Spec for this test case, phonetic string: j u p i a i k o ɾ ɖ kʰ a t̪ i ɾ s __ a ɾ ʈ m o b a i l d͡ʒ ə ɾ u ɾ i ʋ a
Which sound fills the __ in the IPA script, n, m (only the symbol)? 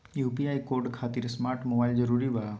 m